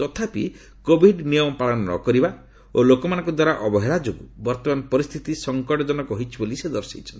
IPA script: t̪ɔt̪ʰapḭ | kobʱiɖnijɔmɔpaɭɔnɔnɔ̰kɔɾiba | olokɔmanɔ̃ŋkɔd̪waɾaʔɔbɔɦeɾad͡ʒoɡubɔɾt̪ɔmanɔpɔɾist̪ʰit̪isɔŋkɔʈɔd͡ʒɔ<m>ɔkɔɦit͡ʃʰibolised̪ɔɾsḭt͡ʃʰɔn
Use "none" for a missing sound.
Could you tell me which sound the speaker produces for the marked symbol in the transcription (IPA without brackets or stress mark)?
n